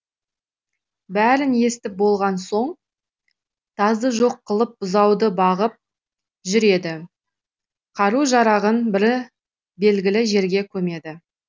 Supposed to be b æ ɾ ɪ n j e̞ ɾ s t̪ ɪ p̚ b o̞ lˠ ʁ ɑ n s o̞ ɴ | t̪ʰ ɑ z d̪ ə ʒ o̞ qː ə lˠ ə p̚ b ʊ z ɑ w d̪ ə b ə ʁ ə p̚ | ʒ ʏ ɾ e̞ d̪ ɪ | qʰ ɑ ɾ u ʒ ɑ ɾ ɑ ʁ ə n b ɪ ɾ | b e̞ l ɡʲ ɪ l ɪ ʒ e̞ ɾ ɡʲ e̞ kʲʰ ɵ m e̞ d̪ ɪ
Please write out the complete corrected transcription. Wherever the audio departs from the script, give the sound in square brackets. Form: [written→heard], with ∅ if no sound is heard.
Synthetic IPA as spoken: b æ ɾ ɪ n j e̞ [ɾ→∅] s t̪ ɪ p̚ b o̞ lˠ ʁ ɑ n s o̞ ɴ | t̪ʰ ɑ z d̪ ə ʒ o̞ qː ə lˠ ə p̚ b ʊ z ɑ w d̪ ə b [ə→ɑ] ʁ ə p̚ | ʒ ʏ ɾ e̞ d̪ ɪ | qʰ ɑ ɾ u ʒ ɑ ɾ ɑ ʁ ə n b ɪ ɾ | b e̞ l ɡʲ ɪ l ɪ ʒ e̞ ɾ ɡʲ e̞ kʲʰ ɵ m e̞ d̪ ɪ